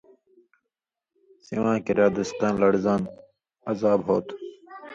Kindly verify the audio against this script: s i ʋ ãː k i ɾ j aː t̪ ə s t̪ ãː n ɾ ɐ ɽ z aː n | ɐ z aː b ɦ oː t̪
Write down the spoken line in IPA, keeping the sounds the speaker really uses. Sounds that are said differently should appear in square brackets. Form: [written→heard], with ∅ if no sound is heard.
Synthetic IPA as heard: s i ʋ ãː k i ɾ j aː [t̪→d̪] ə s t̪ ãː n [ɾ→l] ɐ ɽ z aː n | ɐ z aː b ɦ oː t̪

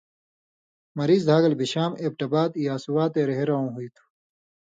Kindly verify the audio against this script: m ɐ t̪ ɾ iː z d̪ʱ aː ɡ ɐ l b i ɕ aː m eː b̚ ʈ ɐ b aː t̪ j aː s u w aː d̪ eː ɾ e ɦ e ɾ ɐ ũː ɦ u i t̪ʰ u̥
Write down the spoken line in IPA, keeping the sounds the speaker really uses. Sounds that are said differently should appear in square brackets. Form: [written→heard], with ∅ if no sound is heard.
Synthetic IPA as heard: m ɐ [t̪→∅] ɾ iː z d̪ʱ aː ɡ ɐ l b i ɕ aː m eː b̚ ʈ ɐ b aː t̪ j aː s u w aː [d̪→t̪] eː ɾ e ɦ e ɾ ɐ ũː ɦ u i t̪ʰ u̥

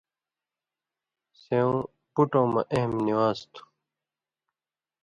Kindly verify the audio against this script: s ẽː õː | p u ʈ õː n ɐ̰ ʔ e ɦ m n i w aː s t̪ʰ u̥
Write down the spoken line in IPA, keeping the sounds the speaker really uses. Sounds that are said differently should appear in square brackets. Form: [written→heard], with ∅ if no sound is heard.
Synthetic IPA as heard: s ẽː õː | p u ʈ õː [n→m] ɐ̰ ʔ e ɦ m n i w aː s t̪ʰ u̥

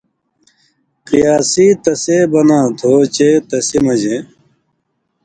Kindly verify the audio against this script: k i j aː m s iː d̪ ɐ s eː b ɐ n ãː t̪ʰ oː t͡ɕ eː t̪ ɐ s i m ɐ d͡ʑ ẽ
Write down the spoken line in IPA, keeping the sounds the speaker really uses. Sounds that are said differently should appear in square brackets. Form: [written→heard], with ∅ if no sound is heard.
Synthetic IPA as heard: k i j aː [m→∅] s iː [d̪→t̪] ɐ s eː b ɐ n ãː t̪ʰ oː t͡ɕ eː t̪ ɐ s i m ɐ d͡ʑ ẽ

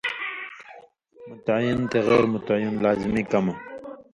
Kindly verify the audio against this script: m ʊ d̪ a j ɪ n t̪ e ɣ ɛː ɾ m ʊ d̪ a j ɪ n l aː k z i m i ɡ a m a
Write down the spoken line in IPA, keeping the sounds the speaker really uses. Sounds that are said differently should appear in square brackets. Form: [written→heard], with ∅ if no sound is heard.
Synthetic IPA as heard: m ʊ [d̪→t̪] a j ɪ n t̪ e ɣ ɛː ɾ m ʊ [d̪→t̪] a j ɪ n l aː [k→∅] z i m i [ɡ→k] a m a

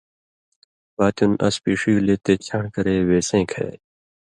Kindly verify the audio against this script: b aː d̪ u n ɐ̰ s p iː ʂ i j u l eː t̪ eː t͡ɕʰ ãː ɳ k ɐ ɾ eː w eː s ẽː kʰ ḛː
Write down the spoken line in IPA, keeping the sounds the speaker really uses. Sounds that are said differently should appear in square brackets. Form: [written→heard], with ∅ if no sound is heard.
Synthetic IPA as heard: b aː [d̪→t̪] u n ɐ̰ s p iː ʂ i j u l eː t̪ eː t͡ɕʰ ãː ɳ k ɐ ɾ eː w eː s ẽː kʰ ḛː

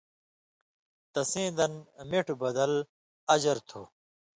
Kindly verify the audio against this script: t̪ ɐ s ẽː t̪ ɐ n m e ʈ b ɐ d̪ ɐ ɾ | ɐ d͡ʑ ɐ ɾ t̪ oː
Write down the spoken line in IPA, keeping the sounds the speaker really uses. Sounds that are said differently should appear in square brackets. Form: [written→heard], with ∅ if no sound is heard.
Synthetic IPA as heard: t̪ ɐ s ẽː [t̪→d̪] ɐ n m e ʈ b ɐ d̪ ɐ [ɾ→l] | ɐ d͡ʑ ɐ ɾ [t̪→t̪ʰ] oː

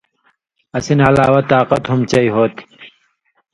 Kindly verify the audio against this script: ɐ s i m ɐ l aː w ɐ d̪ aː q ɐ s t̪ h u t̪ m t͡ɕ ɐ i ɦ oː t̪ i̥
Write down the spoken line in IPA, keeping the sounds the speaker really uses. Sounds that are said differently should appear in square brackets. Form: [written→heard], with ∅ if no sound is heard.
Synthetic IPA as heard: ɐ s i [m→n] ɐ l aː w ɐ [d̪→t̪] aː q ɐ [s→∅] t̪ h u [t̪→∅] m t͡ɕ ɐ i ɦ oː t̪ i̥

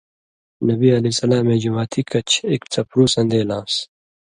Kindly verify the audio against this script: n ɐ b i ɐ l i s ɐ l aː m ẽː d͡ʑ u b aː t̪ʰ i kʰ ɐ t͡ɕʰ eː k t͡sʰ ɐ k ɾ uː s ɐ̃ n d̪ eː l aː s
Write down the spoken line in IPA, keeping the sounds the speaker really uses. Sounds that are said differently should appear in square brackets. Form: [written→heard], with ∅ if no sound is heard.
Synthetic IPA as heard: n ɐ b i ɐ l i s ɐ l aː m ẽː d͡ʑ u [b→m] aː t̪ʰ i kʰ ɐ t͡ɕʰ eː k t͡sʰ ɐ [k→p] ɾ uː s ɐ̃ n d̪ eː l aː s

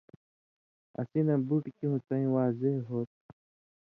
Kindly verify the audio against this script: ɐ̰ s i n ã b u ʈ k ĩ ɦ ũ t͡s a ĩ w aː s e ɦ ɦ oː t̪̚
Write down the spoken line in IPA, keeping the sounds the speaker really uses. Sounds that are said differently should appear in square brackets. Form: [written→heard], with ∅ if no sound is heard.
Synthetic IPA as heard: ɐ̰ s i n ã b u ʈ k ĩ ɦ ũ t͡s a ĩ w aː [s→z] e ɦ ɦ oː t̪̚

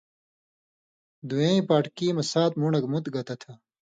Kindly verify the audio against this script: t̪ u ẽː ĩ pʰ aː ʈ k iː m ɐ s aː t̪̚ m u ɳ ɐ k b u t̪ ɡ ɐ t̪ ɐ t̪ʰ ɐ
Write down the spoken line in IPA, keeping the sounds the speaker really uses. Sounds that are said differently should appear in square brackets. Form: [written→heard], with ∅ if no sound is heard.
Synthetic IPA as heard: [t̪→d̪] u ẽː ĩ [pʰ→p] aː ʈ k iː m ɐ s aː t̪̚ m u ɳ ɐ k [b→m] u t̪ ɡ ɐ t̪ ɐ t̪ʰ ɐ

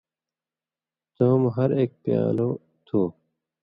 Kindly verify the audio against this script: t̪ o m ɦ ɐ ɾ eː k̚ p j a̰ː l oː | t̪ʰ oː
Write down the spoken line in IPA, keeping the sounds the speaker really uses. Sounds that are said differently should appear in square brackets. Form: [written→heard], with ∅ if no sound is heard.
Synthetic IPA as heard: t̪ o m ɦ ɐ ɾ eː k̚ p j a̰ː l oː | t̪ʰ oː

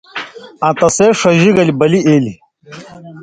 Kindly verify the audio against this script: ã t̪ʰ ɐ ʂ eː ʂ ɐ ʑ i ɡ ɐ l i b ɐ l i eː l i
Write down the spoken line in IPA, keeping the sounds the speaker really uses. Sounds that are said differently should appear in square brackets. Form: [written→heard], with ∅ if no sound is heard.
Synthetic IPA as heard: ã [t̪ʰ→t̪] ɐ [ʂ→s] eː ʂ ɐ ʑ i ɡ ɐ l i b ɐ l i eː l i

